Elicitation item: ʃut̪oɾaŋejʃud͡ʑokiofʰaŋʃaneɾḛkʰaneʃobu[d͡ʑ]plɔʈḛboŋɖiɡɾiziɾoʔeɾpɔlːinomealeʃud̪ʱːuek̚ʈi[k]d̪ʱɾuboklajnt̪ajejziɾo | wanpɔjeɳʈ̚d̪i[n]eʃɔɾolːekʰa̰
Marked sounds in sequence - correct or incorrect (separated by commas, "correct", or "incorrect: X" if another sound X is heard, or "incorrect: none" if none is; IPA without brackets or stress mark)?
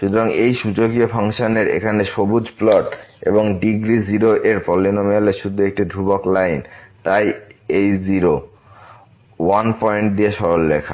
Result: correct, incorrect: none, incorrect: none